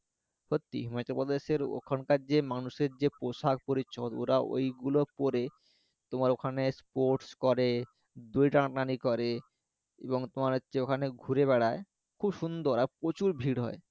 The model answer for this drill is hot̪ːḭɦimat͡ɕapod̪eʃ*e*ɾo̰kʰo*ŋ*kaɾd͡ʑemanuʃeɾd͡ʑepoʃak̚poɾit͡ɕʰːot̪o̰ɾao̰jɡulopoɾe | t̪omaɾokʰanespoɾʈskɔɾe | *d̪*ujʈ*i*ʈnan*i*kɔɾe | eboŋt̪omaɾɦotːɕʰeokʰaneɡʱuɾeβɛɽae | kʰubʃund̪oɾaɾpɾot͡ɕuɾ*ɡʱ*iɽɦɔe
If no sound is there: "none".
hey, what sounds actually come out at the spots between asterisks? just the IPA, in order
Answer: e, n, d̪, a, i, bʱ

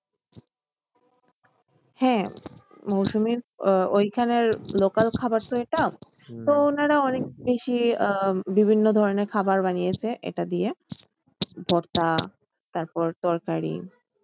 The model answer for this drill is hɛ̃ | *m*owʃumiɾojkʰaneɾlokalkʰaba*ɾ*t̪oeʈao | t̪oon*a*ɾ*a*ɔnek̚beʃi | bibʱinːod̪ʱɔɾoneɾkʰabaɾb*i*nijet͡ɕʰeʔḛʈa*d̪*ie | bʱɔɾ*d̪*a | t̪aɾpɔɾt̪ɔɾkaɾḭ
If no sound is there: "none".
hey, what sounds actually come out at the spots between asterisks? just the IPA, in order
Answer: m, ɾ, a, a, a, d̪, t̪

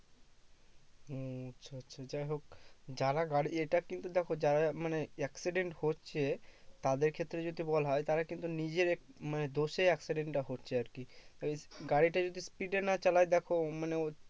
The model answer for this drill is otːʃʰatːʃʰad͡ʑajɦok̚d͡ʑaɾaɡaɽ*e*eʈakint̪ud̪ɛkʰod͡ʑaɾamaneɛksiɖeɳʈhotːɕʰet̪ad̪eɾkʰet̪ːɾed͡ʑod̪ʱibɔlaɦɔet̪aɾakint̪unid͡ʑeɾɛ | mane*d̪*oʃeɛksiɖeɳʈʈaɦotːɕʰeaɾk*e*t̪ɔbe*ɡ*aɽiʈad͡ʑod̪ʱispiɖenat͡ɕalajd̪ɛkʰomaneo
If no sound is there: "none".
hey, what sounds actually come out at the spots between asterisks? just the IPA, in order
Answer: i, d̪, i, ɡ

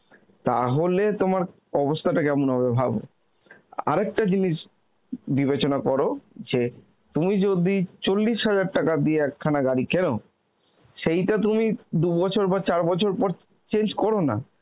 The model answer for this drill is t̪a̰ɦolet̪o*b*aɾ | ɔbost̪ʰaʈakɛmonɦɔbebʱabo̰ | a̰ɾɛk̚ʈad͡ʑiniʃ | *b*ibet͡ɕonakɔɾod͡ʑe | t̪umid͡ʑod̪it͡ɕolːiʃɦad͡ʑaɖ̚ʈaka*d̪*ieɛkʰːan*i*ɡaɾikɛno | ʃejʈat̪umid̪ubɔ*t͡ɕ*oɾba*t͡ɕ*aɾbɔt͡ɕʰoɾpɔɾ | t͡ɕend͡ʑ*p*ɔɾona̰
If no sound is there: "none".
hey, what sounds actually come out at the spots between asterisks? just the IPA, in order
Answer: m, b, d̪, a, t͡ɕʰ, t͡ɕ, k

